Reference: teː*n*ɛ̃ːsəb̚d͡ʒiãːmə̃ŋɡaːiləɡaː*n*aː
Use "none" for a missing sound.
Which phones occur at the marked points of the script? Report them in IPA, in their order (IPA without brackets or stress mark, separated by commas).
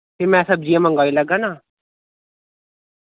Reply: m, n